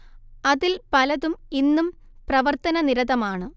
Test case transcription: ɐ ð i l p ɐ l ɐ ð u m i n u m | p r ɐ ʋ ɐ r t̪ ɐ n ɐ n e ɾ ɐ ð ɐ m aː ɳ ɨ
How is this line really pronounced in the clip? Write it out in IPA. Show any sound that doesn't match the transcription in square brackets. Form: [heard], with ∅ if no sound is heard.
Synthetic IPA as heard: ɐ ð i l p ɐ l ɐ ð u m i [nː] u m | p r ɐ ʋ ɐ r t̪ ɐ n ɐ n [i] ɾ ɐ ð ɐ m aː ɳ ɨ